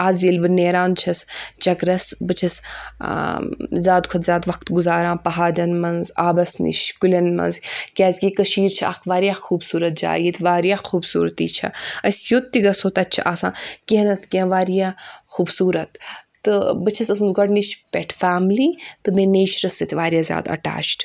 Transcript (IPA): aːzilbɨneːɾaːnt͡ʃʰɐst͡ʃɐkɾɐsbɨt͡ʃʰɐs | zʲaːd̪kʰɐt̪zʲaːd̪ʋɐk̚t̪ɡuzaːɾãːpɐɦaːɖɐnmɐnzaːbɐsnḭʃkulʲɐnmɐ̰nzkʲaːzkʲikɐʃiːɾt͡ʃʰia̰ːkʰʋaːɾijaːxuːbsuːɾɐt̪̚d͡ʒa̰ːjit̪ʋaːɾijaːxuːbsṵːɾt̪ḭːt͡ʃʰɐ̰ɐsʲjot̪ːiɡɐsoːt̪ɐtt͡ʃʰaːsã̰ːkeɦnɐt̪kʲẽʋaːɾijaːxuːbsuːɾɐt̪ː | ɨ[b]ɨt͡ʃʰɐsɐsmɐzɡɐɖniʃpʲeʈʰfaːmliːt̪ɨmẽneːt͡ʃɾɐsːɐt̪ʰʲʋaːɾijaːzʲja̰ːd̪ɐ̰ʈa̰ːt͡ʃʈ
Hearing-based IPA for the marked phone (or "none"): b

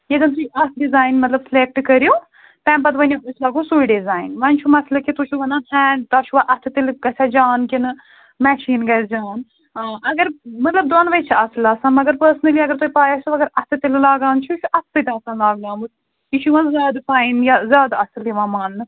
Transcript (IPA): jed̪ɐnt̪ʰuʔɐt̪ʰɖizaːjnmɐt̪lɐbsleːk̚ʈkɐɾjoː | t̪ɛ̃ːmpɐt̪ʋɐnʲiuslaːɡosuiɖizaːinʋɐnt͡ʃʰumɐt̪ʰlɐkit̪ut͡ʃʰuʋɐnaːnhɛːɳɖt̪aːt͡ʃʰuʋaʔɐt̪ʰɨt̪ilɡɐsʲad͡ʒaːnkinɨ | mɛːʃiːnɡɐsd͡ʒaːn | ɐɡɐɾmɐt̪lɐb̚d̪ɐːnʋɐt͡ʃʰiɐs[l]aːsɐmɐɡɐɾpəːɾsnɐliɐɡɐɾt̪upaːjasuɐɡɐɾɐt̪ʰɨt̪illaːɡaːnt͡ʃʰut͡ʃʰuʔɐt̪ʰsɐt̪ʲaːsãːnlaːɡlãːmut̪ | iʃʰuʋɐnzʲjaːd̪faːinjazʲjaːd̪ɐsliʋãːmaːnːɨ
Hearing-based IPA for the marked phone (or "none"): l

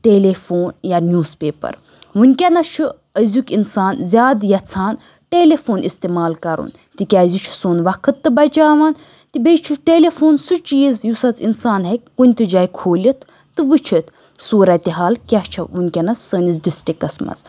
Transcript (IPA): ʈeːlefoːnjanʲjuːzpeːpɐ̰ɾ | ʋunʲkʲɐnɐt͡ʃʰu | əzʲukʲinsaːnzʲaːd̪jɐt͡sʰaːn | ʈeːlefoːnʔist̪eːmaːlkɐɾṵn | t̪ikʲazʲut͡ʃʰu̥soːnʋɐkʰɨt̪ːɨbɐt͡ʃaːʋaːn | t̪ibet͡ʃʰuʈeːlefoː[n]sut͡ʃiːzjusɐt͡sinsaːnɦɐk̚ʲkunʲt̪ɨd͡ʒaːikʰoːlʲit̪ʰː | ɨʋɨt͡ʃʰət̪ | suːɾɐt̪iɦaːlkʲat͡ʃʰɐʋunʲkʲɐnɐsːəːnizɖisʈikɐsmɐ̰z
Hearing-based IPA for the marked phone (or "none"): n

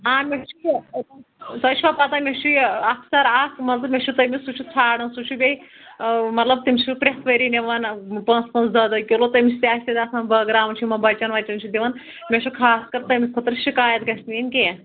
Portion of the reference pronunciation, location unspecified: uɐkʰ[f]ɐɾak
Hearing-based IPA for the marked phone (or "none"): s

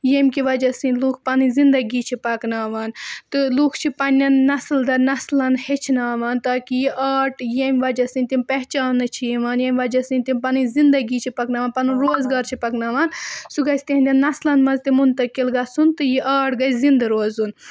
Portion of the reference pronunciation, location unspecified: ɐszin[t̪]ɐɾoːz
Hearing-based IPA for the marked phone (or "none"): d̪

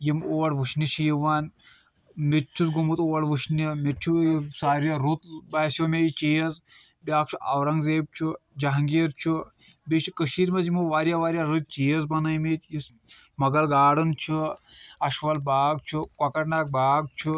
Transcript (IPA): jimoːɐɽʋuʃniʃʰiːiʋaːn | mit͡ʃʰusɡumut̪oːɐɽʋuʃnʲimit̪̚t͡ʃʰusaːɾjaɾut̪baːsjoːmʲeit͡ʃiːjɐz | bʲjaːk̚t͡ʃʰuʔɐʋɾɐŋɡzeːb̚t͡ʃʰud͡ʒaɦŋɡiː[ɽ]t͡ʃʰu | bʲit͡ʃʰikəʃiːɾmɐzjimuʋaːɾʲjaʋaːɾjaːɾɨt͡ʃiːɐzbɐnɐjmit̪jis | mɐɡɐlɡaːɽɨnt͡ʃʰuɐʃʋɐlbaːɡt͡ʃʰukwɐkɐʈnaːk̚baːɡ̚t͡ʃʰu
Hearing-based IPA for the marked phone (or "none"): ɾ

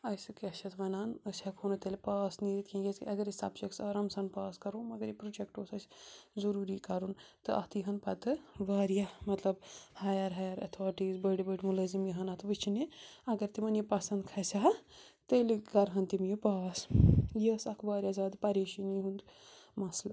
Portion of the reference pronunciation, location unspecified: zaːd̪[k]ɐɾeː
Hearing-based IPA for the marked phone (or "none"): p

